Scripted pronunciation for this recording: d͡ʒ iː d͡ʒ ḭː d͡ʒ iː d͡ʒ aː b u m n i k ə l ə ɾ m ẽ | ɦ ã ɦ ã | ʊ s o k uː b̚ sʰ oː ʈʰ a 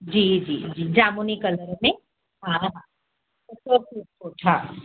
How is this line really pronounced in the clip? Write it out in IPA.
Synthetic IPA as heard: d͡ʒ iː d͡ʒ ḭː d͡ʒ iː d͡ʒ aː m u n i k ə l ə ɾ m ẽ | ɦ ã ɦ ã | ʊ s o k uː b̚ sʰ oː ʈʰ a